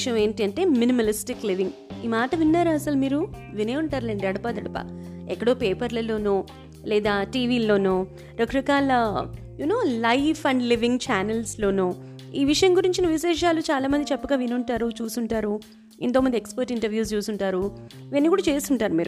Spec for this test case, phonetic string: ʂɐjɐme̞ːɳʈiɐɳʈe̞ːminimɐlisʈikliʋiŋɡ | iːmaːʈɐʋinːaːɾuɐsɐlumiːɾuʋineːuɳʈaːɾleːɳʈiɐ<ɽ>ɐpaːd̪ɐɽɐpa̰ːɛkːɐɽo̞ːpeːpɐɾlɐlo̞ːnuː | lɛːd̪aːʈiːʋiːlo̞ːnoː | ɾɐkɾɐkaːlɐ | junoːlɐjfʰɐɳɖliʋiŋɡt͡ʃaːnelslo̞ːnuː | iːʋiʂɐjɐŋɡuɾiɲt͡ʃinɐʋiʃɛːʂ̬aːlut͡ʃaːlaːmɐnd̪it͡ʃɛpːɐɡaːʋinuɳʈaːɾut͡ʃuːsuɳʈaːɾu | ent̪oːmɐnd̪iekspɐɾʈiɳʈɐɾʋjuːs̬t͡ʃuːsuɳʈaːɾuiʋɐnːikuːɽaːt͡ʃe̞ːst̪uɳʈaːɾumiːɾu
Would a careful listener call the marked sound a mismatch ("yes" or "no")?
no